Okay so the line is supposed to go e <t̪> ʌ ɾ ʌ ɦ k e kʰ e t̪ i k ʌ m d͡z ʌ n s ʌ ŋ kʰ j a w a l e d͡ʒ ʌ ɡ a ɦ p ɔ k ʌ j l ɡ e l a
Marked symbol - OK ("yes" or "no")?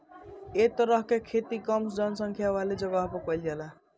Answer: yes